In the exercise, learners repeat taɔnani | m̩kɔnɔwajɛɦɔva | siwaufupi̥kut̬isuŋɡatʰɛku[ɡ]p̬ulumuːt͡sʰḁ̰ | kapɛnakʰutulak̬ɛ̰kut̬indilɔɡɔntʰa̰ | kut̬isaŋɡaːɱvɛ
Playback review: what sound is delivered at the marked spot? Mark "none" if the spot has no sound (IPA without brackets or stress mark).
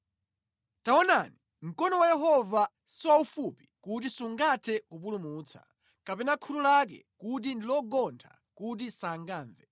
none